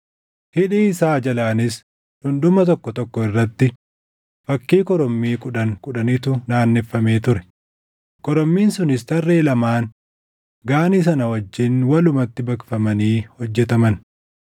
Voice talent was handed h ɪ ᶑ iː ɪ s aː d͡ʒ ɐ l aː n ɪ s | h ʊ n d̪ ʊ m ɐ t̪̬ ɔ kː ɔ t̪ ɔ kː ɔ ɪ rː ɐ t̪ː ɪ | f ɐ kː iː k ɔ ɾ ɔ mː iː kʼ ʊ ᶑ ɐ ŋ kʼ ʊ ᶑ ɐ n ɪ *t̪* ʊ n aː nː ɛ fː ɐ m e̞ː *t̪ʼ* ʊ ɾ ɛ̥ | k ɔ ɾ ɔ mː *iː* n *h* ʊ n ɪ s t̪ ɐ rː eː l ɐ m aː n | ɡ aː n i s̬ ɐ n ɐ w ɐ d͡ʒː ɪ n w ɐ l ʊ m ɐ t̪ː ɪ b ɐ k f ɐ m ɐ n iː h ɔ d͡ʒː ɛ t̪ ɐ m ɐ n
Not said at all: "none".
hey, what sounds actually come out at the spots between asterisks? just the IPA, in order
t̪, t̪, iː, s

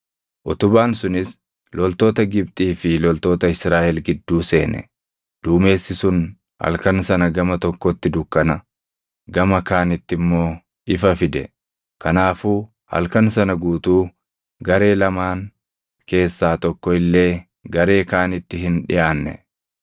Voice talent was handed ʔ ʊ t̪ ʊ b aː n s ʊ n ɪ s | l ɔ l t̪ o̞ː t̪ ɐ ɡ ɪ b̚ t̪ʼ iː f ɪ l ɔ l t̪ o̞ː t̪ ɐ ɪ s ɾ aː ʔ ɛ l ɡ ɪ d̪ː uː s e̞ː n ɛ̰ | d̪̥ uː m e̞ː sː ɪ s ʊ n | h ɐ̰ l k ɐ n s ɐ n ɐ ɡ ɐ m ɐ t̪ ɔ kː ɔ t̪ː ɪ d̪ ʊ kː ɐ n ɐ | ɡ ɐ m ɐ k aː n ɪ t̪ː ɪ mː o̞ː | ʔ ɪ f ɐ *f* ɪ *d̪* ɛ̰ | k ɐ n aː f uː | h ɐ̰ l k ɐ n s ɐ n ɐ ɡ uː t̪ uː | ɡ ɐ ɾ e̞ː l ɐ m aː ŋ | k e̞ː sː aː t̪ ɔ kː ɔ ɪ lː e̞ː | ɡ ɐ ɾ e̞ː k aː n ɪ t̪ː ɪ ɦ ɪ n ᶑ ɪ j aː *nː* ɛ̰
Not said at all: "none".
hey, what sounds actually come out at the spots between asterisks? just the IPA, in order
f, d̪, nː

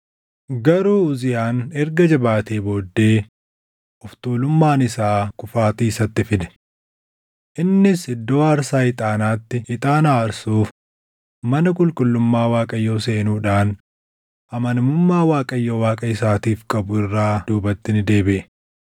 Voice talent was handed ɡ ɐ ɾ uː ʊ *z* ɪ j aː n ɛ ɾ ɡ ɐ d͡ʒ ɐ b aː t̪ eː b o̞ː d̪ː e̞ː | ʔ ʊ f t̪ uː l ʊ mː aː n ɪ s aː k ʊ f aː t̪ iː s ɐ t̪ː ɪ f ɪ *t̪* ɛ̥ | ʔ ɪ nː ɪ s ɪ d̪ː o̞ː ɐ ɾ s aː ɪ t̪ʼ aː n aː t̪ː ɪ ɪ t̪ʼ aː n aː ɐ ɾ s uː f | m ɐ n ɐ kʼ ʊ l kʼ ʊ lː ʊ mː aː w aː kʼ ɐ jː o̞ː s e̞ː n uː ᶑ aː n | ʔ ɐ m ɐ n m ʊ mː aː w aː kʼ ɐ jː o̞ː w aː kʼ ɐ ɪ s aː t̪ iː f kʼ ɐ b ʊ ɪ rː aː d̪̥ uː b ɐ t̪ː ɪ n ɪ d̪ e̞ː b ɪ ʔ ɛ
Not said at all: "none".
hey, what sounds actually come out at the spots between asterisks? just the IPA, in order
z, d̪

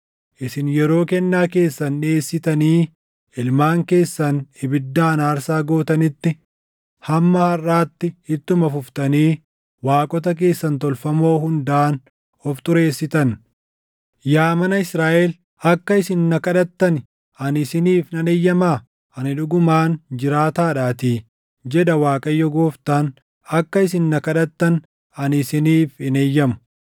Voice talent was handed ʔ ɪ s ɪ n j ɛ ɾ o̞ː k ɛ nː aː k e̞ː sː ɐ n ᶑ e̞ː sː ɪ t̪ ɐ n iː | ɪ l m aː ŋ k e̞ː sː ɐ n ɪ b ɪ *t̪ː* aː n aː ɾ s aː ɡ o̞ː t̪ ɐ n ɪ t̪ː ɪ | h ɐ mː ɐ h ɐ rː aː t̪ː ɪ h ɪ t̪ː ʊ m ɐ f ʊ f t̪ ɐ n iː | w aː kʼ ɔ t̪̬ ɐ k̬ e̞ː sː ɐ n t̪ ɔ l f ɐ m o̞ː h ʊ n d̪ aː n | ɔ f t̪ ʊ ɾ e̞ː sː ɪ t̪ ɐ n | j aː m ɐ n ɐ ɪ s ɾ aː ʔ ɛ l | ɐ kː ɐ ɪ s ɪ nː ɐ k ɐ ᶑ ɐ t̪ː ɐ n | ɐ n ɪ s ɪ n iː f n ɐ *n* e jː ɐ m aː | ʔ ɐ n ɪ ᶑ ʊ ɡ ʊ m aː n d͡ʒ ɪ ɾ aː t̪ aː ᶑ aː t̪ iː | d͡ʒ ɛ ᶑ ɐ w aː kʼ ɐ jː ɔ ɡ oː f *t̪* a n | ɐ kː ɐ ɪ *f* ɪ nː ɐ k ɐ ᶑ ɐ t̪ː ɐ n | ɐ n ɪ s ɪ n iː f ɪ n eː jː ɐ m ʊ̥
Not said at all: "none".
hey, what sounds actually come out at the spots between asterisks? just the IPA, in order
d̪ː, n, t̪, s

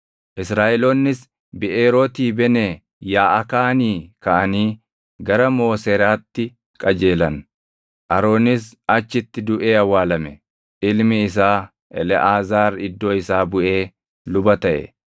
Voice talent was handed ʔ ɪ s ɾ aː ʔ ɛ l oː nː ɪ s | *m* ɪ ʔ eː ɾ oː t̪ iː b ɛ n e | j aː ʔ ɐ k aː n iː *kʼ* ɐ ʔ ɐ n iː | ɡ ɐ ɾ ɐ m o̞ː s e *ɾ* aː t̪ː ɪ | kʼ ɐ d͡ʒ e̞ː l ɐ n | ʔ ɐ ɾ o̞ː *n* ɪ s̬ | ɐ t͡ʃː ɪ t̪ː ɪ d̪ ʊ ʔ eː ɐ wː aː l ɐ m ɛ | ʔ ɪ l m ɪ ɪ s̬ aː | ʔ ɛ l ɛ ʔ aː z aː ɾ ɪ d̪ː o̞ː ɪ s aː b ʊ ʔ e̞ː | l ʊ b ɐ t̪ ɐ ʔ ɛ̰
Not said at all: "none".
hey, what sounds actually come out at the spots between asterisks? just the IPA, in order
b, k, ɾ, n

